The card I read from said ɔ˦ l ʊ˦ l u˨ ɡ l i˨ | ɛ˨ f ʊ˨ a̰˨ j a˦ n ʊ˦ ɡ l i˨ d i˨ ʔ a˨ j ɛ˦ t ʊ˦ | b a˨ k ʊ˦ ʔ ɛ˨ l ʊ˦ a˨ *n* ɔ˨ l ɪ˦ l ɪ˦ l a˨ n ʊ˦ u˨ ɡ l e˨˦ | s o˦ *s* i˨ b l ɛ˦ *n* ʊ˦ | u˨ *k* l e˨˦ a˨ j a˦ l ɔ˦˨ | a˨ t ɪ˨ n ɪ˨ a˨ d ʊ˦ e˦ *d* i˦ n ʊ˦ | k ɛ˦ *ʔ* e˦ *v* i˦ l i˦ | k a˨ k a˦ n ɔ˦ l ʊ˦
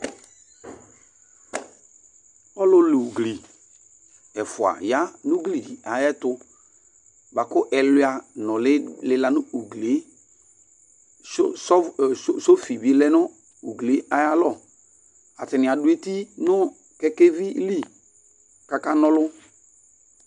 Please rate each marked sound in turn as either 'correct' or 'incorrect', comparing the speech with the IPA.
correct, incorrect: f, correct, incorrect: ɡ, incorrect: t, incorrect: k, correct

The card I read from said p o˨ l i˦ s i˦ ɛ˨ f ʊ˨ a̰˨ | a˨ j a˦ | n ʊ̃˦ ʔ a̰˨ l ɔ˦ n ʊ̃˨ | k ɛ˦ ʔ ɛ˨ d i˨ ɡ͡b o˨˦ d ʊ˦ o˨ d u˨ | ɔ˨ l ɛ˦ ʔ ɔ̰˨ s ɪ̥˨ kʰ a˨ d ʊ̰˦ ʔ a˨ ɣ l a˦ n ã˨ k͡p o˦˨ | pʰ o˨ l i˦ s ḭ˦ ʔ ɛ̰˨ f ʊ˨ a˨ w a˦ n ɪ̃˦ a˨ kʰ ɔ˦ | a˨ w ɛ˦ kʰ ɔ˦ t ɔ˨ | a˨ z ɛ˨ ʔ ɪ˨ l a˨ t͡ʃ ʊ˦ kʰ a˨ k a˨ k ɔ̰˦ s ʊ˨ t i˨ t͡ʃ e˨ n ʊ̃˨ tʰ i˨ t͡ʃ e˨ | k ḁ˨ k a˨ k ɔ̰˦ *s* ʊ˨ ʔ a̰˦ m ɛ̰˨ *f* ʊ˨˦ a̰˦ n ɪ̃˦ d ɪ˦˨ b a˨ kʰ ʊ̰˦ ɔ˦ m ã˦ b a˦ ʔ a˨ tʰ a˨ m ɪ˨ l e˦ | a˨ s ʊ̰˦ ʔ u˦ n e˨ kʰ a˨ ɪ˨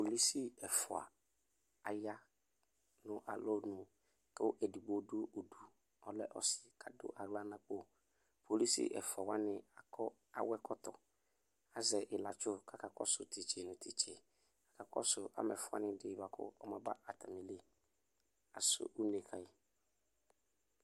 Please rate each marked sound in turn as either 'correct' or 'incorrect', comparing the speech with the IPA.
correct, correct

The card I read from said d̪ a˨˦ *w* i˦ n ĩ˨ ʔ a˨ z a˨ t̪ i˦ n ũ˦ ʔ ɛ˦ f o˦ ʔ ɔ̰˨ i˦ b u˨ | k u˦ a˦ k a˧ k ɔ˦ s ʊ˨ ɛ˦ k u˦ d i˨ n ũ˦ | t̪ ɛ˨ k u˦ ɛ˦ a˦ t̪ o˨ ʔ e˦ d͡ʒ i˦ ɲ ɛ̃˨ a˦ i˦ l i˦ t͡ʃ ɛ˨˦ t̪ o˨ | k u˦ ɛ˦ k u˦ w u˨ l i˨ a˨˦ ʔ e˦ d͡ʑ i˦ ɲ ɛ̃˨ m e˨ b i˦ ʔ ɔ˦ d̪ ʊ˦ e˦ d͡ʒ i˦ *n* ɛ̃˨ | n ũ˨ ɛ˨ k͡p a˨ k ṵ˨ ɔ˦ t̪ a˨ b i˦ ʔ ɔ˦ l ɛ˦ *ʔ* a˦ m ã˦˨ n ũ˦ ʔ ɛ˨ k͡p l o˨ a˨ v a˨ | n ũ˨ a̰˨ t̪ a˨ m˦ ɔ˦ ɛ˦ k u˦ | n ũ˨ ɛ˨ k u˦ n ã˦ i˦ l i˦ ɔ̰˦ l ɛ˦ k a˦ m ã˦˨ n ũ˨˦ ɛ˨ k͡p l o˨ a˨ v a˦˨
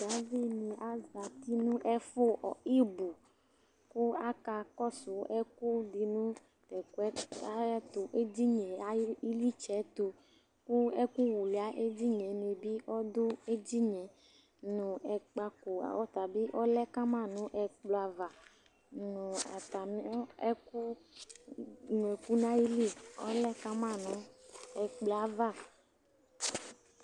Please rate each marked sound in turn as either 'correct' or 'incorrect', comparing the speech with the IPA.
incorrect: v, incorrect: ɲ, incorrect: k

